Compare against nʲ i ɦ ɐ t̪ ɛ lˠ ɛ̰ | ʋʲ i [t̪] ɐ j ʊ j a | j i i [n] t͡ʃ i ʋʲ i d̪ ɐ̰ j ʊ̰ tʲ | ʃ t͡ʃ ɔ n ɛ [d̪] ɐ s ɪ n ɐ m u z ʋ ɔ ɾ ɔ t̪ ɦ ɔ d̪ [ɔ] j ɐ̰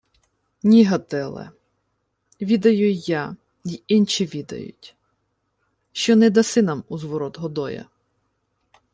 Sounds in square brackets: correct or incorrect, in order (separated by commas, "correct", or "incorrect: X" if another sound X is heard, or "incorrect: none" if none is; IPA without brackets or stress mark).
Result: incorrect: d̪, correct, correct, correct